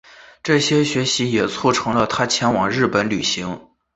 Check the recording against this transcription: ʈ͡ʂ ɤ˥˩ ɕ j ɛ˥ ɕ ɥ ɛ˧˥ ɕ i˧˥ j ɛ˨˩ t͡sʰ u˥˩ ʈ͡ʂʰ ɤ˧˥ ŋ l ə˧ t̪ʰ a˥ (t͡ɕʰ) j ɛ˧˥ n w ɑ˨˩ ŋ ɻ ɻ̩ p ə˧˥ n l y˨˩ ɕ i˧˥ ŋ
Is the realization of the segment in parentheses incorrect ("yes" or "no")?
no